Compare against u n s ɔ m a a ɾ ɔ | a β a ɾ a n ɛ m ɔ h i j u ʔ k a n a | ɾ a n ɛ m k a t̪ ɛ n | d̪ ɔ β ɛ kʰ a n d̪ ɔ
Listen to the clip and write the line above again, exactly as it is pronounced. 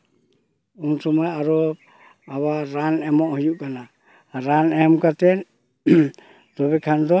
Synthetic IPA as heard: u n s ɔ m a a ɾ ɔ | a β a ɾ a n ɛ m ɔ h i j u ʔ k a n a | ɾ a n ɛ m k a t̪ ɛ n | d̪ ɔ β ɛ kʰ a n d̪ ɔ

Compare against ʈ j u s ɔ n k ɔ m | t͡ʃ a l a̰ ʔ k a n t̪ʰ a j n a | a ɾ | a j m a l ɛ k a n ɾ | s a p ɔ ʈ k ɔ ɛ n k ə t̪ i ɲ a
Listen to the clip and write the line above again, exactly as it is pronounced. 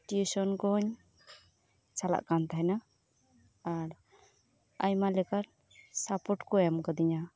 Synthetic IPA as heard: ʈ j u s ɔ n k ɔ ɲ | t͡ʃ a l a̰ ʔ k a n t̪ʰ a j n a | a ɾ | a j m a l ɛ k a ɾ | s a p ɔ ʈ k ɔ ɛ m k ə d̪ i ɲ a

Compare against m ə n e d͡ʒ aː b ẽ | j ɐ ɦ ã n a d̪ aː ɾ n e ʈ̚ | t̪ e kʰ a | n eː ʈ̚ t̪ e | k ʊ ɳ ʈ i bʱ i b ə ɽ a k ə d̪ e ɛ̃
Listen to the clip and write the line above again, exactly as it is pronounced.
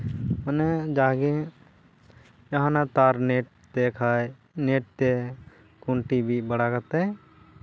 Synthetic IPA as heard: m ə n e d͡ʒ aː ɡ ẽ | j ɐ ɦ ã n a t̪ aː ɾ n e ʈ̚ | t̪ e kʰ a | n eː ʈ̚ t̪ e | k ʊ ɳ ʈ i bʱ i b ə ɽ a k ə t̪ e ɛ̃

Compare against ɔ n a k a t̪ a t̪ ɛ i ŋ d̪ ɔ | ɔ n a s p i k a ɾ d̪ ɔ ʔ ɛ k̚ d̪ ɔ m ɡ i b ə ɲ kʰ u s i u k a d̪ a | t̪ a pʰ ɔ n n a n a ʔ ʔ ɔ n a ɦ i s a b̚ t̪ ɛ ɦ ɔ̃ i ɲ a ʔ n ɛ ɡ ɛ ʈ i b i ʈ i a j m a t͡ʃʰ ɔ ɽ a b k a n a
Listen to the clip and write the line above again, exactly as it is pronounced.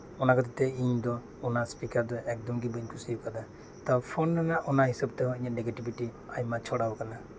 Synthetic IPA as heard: ɔ n a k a t̪ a t̪ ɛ i ɲ d̪ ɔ | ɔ n a s p i k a ɾ d̪ ɔ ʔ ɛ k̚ d̪ ɔ m ɡ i b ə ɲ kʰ u s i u k a d̪ a | t̪ a pʰ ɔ n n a n a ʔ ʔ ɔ n a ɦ i s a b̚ t̪ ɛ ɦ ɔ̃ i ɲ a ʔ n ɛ ɡ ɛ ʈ i b i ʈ i a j m a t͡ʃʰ ɔ ɽ a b k a n a

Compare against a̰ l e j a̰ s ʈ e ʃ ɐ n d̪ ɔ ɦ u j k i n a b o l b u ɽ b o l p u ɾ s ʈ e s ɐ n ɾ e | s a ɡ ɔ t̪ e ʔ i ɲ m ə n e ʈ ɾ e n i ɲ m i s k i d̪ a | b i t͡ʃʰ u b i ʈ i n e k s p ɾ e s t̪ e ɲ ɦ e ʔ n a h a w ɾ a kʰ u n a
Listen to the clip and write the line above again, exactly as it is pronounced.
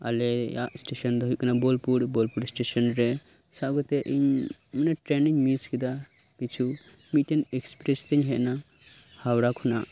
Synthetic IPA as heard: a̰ l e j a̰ s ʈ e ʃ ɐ n d̪ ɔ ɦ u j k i n a b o l p u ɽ b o l p u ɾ s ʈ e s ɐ n ɾ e | s a ɡ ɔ t̪ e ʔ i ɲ m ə n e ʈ ɾ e n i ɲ m i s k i d̪ a | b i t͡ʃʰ u m i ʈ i n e k s p ɾ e s t̪ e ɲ ɦ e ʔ n a h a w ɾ a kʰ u n a

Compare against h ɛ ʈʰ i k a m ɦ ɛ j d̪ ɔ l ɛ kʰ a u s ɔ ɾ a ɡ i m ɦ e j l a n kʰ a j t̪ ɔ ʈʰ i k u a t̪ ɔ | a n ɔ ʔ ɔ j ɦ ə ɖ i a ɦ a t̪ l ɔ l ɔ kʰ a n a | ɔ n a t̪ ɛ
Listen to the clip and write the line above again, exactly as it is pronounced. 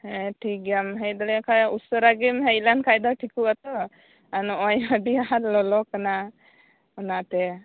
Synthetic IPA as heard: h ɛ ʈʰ i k a m ɦ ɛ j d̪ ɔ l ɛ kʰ a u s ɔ ɾ a ɡ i m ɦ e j l a n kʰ a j d̪ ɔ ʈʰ i k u a t̪ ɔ | a n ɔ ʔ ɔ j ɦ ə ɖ i a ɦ a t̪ l ɔ l ɔ k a n a | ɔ n a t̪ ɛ

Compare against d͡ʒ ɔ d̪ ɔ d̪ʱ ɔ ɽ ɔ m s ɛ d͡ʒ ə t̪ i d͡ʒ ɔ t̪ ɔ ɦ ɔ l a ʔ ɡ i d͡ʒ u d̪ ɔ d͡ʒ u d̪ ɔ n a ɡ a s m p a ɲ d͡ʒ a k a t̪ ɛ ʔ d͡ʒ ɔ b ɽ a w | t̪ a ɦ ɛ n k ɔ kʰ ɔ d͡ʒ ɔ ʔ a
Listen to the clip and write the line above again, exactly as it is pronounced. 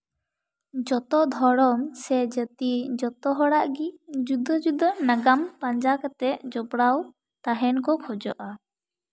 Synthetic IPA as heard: d͡ʒ ɔ t̪ ɔ d̪ʱ ɔ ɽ ɔ m s ɛ d͡ʒ ə t̪ i d͡ʒ ɔ t̪ ɔ ɦ ɔ ɽ a ʔ ɡ i d͡ʒ u d̪ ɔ d͡ʒ u d̪ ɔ n a ɡ a m p a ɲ d͡ʒ a k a t̪ ɛ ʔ d͡ʒ ɔ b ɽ a w | t̪ a ɦ ɛ n k ɔ kʰ ɔ d͡ʒ ɔ ʔ a

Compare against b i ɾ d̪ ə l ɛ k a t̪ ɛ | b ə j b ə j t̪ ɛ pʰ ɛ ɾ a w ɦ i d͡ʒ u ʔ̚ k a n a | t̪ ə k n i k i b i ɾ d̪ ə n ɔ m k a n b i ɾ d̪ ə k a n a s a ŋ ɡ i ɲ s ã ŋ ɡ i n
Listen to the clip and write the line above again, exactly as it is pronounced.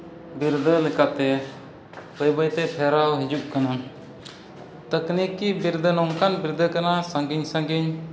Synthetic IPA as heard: b i ɾ d̪ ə l ɛ k a t̪ ɛ | b ə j b ə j t̪ ɛ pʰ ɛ ɾ a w ɦ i d͡ʒ u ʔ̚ k a n a | t̪ ə k n i k i b i ɾ d̪ ə n ɔ ŋ k a n b i ɾ d̪ ə k a n a s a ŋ ɡ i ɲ s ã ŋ ɡ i ɲ

